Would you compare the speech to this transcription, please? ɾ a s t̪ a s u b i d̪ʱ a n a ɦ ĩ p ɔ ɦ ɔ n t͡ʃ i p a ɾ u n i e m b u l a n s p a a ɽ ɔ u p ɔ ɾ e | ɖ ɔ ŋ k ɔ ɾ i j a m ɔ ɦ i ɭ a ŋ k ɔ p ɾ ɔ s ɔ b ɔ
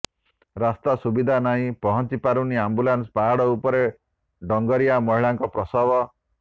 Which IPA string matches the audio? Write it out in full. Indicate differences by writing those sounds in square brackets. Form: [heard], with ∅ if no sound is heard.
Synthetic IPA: ɾ a s t̪ a s u b i d̪ʱ a n a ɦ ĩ p ɔ ɦ ɔ n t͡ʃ i p a ɾ u n i [a] m b u l a n s p a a ɽ ɔ u p ɔ ɾ e | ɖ ɔ ŋ [ɡ] ɔ ɾ i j a m ɔ ɦ i ɭ a ŋ k ɔ p ɾ ɔ s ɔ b ɔ